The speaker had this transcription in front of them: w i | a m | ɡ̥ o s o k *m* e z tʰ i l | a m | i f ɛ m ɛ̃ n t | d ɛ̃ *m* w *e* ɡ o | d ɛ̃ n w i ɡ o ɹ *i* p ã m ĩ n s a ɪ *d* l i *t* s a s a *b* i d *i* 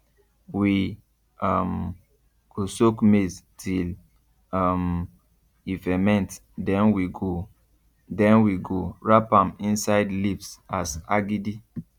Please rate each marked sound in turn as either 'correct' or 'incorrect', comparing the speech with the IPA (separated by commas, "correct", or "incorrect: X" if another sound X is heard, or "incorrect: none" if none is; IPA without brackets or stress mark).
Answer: correct, incorrect: n, incorrect: i, incorrect: a, correct, incorrect: p, incorrect: ɡ, correct